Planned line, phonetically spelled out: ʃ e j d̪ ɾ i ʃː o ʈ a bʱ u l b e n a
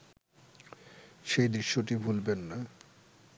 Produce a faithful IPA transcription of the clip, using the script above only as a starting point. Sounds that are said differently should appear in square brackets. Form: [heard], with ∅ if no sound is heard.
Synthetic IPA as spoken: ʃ e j d̪ ɾ i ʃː o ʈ [i] bʱ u l b e [nː] a